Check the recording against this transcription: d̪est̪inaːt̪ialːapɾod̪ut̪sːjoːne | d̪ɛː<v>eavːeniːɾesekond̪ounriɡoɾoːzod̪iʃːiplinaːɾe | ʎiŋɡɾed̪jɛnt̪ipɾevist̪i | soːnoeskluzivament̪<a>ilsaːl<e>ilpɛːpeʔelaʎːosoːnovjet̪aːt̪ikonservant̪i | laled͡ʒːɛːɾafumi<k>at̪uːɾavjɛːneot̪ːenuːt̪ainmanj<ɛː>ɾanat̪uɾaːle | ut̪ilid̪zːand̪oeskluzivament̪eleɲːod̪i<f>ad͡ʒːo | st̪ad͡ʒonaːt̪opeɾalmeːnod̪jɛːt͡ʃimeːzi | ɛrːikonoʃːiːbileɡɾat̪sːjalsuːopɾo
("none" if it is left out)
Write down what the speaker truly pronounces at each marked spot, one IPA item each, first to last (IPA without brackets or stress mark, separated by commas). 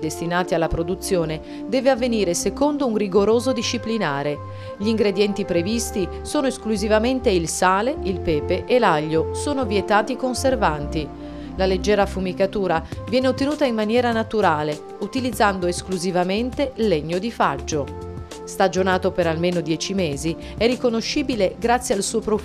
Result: v, e, e, k, ɛː, f